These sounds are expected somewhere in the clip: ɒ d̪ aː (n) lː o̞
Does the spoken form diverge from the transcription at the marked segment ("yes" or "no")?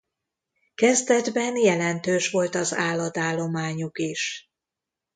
yes